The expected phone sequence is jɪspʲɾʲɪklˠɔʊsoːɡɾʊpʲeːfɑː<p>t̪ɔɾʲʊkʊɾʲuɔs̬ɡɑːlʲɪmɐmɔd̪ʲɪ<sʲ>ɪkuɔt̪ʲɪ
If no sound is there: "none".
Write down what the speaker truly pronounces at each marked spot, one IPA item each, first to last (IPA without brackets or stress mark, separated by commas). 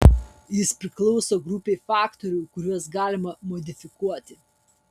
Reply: k, fʲ